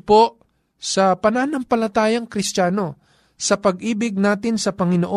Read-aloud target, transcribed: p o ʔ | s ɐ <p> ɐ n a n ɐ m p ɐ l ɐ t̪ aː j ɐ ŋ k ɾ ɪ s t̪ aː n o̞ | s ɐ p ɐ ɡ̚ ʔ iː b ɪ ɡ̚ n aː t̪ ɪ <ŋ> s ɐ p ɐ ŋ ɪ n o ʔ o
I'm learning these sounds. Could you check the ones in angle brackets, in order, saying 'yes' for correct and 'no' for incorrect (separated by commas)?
yes, no